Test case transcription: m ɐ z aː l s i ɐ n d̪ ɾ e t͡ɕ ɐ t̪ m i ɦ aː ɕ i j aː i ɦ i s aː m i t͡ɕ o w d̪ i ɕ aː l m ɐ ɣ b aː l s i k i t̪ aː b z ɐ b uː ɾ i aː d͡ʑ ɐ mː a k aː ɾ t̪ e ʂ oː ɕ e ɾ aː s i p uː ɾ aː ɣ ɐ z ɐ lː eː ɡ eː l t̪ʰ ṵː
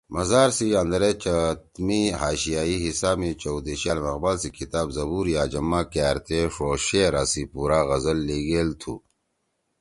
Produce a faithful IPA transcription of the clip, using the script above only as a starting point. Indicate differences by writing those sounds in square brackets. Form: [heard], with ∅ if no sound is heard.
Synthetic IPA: m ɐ z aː [ɾ] s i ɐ n d̪ ɾ e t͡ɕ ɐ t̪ m i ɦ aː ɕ i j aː i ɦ i s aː m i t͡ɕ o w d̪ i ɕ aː l m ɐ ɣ b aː l s i k i t̪ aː b z ɐ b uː ɾ [j] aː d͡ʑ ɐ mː a k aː ɾ t̪ e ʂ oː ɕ e ɾ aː s i p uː ɾ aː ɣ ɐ z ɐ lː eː ɡ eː l t̪ʰ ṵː